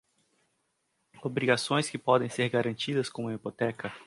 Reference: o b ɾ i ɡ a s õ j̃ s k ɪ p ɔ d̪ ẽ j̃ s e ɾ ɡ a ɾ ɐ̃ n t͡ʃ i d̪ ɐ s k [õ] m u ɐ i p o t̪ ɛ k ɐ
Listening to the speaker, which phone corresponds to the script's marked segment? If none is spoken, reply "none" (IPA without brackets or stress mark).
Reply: õ